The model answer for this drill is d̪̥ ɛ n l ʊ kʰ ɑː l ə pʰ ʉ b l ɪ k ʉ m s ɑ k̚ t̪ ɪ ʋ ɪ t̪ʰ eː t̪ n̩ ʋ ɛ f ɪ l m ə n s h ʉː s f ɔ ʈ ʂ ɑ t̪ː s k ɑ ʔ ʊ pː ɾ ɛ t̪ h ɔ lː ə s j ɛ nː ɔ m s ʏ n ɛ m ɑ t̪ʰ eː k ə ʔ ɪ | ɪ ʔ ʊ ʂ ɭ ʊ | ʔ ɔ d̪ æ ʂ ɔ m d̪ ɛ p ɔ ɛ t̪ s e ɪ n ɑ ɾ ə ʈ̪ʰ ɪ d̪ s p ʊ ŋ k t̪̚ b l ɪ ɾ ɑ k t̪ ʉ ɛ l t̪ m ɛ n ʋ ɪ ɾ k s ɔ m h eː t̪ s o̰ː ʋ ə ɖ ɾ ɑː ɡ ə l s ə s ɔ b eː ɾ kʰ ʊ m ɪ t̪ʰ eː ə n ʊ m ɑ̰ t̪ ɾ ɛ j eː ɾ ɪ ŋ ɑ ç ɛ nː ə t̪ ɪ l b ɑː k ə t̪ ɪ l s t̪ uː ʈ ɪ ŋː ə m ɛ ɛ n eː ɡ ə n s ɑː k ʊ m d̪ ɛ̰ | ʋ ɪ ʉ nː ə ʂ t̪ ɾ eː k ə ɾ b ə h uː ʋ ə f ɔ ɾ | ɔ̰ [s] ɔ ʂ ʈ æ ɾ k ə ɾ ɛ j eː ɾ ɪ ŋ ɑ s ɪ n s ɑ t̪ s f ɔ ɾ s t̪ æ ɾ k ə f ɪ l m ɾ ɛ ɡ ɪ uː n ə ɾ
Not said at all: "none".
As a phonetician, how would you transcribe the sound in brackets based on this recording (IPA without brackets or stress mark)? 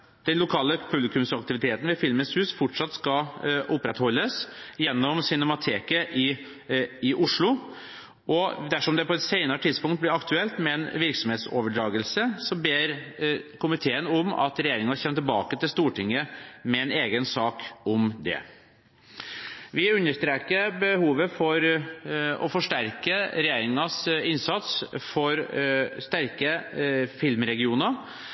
f